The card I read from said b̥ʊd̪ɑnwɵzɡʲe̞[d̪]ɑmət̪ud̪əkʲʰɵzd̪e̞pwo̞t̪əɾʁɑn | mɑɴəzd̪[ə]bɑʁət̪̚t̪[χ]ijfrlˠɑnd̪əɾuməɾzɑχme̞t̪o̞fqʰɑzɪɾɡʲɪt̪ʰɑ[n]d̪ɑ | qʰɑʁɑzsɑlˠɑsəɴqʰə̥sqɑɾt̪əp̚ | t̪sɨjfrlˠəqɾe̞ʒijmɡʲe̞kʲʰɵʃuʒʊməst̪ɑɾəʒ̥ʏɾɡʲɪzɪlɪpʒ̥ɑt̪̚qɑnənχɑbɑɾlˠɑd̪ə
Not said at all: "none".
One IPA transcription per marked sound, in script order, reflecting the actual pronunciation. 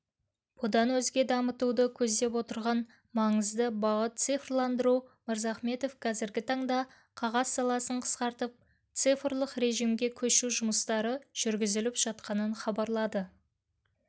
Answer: d̪, ə, s, ɴ

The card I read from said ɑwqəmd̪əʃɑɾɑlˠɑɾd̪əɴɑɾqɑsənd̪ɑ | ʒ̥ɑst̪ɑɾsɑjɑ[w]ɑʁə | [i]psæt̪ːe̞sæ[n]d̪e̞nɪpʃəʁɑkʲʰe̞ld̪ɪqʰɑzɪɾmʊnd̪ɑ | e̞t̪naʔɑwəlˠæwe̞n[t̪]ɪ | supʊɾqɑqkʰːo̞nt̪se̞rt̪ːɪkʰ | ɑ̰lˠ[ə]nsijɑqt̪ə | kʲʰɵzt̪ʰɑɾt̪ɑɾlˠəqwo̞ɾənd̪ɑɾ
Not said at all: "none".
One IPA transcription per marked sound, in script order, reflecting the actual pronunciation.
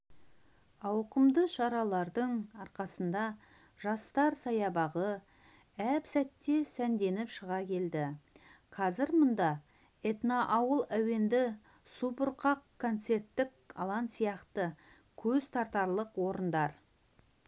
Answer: b, æ, n, d̪, ɑ

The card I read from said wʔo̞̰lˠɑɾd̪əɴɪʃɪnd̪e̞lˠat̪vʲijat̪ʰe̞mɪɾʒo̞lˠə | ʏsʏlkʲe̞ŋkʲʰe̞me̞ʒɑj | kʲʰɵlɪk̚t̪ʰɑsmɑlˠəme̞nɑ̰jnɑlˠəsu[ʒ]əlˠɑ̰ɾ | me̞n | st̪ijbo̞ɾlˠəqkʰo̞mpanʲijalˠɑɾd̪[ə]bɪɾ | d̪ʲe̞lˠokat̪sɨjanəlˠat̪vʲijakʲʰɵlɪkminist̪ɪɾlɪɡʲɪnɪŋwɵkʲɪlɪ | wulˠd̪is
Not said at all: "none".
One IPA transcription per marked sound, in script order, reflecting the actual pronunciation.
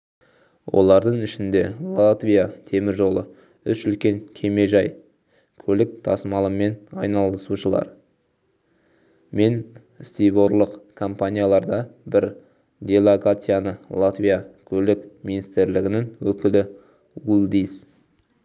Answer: ʃ, ɑ

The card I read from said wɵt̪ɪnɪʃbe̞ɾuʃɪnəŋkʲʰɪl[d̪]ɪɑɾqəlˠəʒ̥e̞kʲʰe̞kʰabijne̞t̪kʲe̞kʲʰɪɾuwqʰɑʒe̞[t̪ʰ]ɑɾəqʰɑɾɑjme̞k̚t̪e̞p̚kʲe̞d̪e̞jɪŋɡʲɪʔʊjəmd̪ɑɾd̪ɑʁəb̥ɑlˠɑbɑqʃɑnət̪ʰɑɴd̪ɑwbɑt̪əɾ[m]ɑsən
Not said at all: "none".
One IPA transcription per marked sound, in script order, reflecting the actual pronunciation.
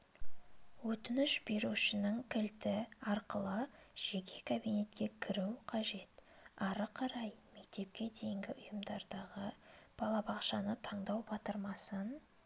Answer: t̪, t̪, m

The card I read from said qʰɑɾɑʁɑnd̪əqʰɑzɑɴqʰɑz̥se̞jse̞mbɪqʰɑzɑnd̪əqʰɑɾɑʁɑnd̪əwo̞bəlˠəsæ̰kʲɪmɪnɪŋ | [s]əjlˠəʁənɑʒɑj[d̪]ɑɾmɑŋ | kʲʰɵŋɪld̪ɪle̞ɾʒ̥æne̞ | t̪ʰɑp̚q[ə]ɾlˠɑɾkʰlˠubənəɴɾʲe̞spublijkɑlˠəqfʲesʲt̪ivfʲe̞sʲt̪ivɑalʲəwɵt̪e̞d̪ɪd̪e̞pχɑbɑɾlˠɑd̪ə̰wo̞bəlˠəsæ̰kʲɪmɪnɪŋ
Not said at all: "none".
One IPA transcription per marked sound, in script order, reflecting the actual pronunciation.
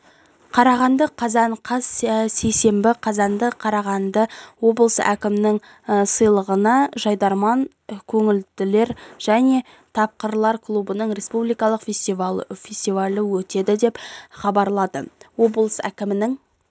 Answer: s, d̪, ə

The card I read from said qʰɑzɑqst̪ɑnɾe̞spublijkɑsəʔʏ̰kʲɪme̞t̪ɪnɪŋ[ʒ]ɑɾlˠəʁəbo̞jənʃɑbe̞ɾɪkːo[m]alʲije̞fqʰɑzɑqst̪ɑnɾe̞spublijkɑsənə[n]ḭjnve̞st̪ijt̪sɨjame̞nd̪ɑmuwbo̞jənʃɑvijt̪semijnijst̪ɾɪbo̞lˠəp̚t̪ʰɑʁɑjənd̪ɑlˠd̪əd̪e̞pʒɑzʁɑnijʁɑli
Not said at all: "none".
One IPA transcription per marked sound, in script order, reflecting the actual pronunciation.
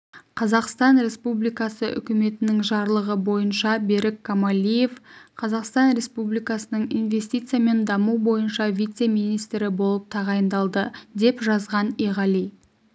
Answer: ʒ, m, ɴ

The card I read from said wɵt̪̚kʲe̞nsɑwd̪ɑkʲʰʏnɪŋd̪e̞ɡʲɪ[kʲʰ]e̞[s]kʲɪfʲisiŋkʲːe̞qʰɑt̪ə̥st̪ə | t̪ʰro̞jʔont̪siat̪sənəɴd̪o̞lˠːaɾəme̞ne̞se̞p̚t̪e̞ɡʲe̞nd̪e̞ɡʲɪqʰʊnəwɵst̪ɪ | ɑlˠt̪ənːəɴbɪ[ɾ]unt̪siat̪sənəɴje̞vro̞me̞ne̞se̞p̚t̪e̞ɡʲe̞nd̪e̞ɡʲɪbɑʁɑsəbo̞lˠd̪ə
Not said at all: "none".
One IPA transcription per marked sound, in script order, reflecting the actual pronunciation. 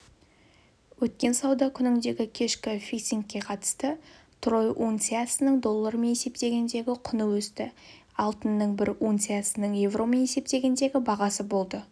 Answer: kʲʰ, ʃ, ɾ

